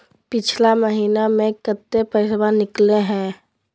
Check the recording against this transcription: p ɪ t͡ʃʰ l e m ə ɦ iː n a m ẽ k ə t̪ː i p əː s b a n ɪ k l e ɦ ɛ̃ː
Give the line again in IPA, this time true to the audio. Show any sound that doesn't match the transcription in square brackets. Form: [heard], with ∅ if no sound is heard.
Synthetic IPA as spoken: p ɪ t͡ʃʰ l [a] m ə ɦ iː n a m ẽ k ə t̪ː [e] p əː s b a n ɪ k l e ɦ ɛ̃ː